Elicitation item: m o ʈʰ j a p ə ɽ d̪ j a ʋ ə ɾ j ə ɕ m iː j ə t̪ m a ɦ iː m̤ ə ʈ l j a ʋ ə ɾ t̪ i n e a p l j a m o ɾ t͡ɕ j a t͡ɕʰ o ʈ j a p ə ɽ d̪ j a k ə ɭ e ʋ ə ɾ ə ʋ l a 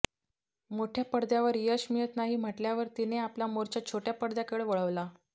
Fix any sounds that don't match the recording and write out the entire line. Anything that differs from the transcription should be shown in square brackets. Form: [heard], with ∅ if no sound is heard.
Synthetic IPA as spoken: m o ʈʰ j a p ə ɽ d̪ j a ʋ ə ɾ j ə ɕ m [i] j ə t̪ [n] a ɦ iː m̤ ə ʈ l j a ʋ ə ɾ t̪ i n e a p l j a m o ɾ t͡ɕ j a t͡ɕʰ o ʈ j a p ə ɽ d̪ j a k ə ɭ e ʋ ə [ɭ] ə ʋ l a